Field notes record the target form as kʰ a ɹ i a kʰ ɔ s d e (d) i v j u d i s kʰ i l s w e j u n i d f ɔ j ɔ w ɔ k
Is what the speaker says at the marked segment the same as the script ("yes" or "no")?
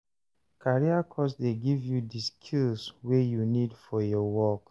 no